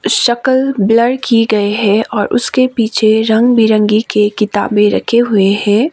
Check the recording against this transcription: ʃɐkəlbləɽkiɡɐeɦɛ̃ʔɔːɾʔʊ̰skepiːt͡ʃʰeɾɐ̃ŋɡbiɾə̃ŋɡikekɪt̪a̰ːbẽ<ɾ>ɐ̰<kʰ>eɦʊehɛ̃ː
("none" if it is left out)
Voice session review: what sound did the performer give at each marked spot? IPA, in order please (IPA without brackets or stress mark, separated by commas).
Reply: ɾ, kʰ